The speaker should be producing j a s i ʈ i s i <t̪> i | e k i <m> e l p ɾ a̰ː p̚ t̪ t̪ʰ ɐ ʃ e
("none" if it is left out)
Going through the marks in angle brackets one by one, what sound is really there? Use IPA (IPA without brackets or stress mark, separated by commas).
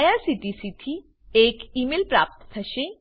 t̪ʰ, m